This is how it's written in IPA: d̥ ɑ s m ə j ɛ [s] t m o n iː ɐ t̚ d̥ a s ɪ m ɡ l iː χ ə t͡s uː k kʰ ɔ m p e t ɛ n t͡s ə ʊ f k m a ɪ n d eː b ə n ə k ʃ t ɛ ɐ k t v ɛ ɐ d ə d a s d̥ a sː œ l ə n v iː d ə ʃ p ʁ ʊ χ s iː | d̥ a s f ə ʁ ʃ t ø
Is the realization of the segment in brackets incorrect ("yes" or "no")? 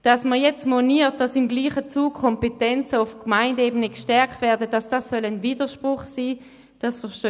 yes